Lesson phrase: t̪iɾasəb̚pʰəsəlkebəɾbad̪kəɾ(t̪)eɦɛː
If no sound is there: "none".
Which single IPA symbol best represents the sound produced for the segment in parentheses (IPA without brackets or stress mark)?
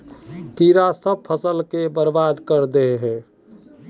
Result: d̪